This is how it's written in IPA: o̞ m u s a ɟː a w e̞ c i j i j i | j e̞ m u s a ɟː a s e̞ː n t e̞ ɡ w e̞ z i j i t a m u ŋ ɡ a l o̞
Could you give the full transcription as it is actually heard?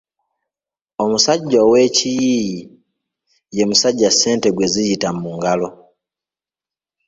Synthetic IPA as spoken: o̞ m u s a ɟː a w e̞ c i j i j i | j e̞ m u s a ɟː a s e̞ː n t e̞ ɡ w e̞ z i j i t a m u ŋ ɡ a l o̞